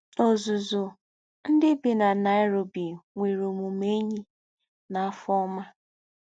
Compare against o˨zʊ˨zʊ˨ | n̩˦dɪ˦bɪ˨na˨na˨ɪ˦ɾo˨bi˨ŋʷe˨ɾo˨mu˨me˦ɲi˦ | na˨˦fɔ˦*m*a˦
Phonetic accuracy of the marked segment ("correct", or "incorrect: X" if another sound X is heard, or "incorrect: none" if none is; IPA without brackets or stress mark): correct